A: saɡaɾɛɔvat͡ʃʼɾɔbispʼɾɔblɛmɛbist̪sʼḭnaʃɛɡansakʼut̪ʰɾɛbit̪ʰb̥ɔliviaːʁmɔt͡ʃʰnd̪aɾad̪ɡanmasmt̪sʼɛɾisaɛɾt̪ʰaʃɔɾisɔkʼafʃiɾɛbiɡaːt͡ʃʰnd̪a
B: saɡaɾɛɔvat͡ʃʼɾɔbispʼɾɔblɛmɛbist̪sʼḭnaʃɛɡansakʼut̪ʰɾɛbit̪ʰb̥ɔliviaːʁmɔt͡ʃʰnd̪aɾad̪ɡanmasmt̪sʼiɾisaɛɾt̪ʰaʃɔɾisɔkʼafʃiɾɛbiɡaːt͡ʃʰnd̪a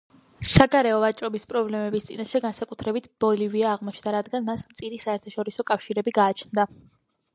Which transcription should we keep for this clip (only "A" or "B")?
B